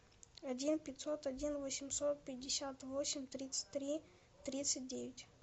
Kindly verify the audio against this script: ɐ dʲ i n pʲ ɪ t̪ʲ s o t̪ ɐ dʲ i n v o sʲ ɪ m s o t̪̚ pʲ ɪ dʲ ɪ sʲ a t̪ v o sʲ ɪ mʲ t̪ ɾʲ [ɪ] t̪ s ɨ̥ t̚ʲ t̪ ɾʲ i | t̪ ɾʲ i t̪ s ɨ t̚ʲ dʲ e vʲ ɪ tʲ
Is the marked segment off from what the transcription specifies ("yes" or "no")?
yes